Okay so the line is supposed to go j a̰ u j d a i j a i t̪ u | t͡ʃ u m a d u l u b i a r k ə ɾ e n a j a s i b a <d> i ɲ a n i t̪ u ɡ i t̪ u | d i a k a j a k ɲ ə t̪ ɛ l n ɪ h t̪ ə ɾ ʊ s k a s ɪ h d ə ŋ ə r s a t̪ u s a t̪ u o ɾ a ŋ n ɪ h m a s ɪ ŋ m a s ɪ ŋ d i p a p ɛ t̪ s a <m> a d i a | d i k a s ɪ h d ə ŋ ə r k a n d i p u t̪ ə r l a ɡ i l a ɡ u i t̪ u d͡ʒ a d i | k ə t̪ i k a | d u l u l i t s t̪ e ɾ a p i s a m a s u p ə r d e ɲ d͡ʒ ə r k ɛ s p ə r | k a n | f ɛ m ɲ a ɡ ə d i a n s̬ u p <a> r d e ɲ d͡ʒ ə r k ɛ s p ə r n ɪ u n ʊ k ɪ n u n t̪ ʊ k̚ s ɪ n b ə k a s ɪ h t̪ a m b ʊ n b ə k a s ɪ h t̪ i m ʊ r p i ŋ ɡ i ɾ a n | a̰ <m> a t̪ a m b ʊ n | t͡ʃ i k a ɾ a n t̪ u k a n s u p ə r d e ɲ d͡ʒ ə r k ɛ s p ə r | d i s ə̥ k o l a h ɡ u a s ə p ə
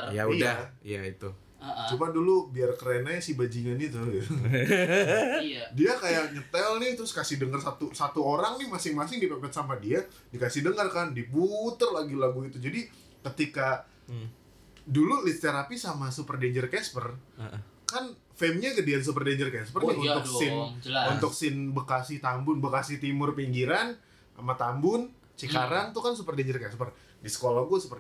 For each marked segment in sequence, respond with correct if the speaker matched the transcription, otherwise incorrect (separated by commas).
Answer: incorrect, correct, incorrect, correct